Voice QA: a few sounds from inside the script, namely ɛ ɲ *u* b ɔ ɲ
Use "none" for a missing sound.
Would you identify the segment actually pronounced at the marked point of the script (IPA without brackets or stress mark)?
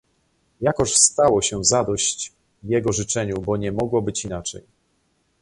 u